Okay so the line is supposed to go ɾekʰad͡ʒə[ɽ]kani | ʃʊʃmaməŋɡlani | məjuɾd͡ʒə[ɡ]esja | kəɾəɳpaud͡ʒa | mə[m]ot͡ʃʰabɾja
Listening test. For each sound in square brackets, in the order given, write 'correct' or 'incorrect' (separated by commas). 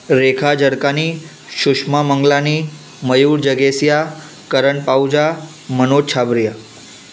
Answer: correct, correct, incorrect